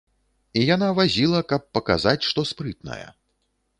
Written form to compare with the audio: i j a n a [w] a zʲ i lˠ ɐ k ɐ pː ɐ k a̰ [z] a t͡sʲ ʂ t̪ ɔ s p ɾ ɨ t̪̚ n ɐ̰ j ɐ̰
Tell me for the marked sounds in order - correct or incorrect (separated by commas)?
incorrect, correct